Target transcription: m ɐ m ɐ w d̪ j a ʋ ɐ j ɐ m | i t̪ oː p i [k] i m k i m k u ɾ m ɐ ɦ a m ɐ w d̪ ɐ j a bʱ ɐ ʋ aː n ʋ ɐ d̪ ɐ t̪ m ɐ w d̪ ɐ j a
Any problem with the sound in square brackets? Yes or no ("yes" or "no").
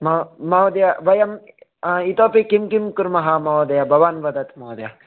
no